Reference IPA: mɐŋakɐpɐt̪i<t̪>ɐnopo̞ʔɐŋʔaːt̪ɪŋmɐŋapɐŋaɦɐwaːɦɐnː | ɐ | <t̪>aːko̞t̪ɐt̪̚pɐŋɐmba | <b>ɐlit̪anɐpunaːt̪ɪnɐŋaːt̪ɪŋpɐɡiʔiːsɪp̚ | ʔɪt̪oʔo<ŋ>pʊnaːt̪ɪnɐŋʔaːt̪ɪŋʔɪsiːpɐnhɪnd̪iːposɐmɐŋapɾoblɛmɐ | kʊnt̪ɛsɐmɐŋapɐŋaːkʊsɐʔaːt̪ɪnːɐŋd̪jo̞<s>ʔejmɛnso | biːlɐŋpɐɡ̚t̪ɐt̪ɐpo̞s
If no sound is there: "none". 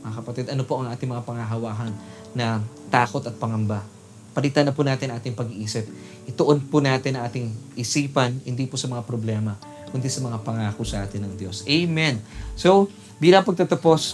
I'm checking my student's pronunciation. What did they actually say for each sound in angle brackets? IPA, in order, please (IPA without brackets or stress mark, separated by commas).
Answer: d̪, t̪, p, n, s